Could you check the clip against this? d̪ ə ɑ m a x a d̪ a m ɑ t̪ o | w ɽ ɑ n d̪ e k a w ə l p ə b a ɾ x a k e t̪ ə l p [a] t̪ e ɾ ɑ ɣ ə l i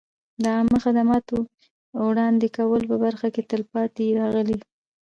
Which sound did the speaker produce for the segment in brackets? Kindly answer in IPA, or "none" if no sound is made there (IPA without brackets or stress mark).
ɑ